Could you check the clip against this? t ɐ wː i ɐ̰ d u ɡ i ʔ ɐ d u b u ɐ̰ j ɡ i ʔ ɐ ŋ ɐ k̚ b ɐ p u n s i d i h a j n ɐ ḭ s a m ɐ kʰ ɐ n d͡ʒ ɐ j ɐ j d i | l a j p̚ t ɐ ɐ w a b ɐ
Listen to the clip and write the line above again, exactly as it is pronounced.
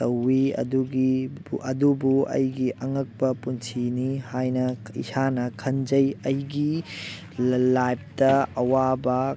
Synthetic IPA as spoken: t ɐ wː i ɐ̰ d u ɡ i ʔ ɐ d u b u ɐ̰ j ɡ i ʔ ɐ ŋ ɐ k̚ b ɐ p u n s i n i h a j n ɐ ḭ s a n ɐ kʰ ɐ n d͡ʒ ɐ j ɐ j ɡ i | l a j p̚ t ɐ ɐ w a b ɐ